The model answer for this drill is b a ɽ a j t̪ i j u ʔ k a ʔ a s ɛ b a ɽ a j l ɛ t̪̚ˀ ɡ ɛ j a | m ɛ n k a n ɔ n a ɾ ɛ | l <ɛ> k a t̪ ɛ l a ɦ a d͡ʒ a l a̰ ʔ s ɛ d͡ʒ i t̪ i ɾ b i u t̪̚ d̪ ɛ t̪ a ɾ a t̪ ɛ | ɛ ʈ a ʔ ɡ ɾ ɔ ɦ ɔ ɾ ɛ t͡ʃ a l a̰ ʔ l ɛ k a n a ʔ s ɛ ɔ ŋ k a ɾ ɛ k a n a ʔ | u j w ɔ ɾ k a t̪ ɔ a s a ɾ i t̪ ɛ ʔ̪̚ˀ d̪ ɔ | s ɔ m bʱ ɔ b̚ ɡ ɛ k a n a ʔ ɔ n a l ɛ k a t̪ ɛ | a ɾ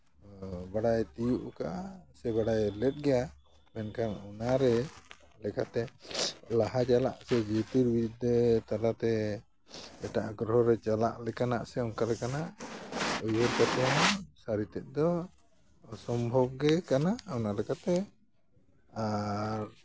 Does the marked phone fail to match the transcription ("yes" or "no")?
no